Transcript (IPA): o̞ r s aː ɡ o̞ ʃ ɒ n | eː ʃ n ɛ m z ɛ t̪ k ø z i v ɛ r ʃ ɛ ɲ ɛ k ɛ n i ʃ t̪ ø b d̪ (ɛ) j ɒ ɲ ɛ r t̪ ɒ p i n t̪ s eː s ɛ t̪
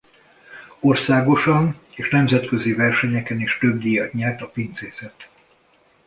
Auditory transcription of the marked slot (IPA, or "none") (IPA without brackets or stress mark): i